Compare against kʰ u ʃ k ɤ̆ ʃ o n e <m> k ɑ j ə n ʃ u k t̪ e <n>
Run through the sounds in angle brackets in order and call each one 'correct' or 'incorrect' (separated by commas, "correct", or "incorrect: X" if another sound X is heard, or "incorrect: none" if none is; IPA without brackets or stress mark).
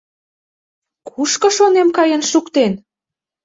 correct, correct